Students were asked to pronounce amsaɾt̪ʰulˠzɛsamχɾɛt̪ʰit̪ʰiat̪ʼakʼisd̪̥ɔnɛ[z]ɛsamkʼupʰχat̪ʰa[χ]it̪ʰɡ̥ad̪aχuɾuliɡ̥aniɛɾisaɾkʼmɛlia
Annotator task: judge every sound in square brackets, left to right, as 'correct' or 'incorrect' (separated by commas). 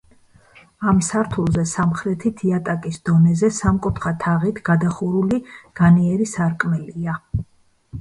correct, incorrect